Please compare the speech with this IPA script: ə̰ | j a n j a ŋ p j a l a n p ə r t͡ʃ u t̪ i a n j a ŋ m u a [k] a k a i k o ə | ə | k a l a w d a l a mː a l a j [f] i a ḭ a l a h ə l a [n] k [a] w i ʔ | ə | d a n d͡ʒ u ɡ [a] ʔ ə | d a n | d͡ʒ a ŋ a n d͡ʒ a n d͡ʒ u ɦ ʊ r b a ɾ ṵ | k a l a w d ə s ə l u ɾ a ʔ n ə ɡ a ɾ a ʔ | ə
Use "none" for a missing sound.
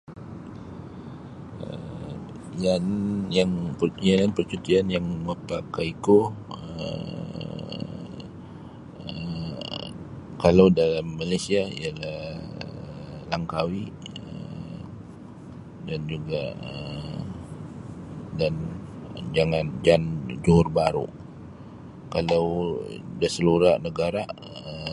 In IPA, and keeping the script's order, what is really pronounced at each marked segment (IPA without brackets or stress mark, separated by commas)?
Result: p, s, ŋ, a, a